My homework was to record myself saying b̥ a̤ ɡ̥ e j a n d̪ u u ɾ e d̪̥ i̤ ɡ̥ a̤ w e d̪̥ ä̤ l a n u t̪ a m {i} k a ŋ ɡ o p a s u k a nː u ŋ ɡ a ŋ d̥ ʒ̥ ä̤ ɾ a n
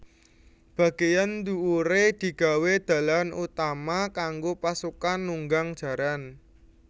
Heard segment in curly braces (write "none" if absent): a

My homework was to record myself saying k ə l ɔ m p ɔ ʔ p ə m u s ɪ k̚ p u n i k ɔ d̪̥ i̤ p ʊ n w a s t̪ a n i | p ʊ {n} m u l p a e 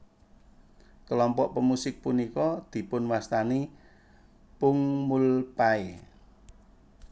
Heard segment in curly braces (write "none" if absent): ŋ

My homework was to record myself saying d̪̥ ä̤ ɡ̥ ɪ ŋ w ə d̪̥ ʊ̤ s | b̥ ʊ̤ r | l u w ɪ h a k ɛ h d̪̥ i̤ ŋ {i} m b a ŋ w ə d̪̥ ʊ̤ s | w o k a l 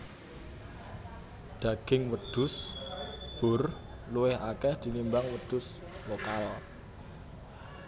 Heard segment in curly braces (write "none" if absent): i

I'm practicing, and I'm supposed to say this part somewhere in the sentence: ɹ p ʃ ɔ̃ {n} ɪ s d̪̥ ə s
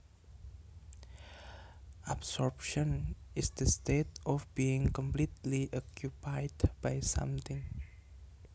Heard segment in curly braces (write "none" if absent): n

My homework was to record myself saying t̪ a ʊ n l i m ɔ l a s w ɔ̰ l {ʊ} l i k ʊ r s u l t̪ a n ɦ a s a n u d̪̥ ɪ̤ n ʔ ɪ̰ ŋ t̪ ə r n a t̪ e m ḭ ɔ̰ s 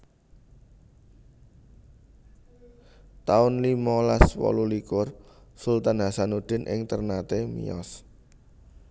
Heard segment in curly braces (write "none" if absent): u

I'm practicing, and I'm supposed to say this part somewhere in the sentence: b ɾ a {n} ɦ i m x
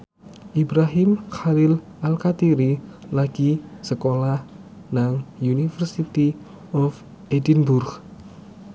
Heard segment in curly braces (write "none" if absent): none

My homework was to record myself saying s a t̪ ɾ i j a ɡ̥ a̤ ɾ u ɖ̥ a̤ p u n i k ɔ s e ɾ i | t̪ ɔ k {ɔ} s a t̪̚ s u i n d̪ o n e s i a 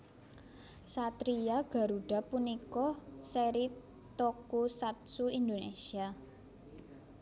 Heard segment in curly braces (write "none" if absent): u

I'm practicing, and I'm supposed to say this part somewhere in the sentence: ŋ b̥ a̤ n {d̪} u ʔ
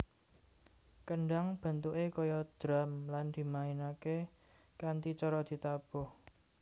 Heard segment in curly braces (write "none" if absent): t̪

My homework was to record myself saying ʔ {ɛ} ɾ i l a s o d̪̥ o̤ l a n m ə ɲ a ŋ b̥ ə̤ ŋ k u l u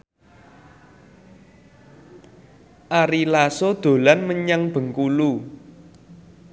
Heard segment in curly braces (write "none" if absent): a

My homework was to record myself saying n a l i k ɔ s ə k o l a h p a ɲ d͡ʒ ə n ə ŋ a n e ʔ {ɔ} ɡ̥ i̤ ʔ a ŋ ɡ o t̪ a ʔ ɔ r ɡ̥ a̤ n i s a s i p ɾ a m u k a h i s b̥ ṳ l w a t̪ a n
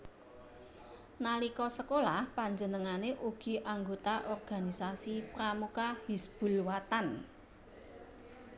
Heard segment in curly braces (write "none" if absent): u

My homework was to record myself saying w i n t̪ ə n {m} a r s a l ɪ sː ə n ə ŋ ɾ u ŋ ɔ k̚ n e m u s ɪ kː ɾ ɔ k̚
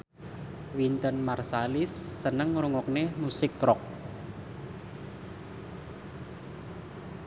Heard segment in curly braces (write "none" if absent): m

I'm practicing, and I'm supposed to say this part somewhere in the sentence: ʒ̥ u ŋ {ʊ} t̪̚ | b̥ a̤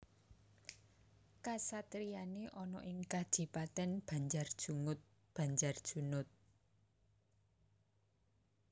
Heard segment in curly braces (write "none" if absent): ʊ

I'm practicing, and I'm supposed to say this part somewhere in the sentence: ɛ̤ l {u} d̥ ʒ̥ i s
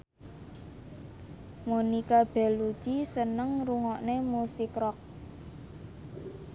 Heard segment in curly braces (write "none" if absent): u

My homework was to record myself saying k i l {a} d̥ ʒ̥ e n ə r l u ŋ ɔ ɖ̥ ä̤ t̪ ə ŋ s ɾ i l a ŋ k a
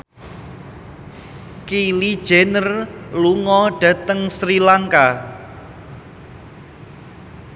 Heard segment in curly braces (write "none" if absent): i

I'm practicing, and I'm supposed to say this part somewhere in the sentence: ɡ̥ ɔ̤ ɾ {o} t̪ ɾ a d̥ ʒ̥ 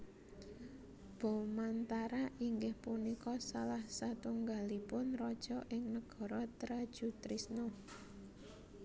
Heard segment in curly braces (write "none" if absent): ɔ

